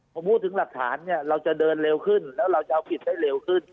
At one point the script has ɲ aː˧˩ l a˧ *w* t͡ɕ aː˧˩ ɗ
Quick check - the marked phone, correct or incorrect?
correct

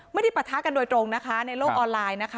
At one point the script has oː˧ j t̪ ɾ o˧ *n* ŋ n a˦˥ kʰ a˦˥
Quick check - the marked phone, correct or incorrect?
incorrect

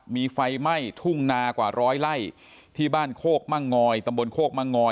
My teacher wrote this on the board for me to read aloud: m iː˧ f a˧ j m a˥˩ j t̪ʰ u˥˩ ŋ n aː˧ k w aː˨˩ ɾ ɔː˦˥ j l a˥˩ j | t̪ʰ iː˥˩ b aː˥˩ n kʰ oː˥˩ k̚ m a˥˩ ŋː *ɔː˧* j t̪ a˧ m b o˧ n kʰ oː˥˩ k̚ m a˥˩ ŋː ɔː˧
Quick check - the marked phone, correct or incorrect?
correct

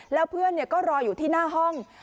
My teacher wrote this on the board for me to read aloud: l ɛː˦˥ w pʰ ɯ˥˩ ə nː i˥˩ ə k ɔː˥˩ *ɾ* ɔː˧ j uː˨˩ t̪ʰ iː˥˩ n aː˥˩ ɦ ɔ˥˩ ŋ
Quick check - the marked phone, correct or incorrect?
correct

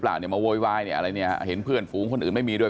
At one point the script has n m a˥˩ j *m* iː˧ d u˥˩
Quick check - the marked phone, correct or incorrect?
correct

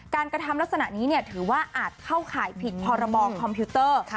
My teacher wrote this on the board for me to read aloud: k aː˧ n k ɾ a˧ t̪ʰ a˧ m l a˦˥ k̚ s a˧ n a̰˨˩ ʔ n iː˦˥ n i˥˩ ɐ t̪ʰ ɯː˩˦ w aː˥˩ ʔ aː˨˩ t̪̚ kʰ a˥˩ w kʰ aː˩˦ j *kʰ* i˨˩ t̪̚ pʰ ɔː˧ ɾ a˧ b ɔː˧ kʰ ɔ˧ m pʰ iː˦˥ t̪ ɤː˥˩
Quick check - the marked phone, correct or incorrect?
incorrect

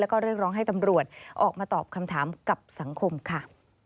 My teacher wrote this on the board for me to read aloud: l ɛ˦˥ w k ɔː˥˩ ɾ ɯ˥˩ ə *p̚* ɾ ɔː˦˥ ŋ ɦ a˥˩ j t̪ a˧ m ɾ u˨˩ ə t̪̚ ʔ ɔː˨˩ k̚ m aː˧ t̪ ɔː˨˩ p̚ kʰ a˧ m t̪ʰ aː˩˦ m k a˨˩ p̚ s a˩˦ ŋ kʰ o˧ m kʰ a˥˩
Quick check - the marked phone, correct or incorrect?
incorrect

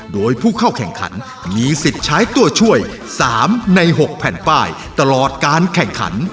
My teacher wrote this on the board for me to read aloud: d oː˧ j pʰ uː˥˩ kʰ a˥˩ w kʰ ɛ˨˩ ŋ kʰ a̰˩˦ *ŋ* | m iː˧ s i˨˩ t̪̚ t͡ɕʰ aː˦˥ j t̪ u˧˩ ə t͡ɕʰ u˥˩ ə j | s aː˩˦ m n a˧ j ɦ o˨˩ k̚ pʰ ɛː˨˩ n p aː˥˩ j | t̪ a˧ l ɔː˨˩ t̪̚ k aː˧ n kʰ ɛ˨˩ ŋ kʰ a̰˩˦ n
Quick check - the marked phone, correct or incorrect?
incorrect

